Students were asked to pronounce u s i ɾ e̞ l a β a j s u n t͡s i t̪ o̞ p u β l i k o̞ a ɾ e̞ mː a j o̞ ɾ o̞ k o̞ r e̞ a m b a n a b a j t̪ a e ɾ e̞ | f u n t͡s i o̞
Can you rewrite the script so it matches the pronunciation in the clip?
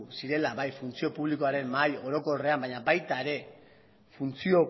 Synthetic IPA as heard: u s i ɾ e̞ l a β a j f u n t͡s i o̞ p u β l i k o̞ a ɾ e̞ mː a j o̞ ɾ o̞ k o̞ r e̞ a m b a ɲ a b a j t̪ a e ɾ e̞ | f u n t͡s i o̞